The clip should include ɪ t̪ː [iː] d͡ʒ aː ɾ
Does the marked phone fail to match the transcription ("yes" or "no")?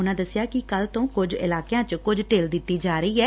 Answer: no